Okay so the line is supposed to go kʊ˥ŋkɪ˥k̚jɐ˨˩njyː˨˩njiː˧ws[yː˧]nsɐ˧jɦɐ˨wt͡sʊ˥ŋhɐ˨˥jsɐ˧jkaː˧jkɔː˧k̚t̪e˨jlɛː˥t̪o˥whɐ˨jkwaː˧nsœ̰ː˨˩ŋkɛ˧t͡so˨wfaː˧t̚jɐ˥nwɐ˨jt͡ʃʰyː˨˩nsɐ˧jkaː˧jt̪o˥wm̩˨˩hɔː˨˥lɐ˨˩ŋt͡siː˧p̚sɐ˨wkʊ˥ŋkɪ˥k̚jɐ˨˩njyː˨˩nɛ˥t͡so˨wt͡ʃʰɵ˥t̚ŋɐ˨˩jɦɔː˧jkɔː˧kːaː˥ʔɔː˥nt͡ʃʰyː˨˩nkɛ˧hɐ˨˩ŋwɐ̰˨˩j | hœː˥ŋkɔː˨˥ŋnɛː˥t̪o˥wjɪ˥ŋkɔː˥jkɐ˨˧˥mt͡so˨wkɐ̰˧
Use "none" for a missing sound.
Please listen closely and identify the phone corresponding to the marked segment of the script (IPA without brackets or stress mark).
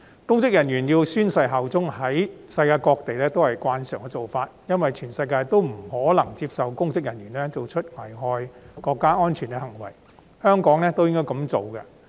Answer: yː˥